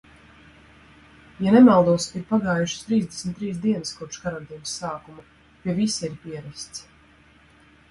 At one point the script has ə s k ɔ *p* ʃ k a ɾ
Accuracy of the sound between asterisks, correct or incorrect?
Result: correct